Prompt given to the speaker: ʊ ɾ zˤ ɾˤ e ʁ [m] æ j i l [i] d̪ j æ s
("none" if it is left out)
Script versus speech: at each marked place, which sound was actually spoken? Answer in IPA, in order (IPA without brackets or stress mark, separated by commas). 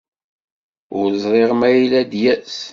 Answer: m, æ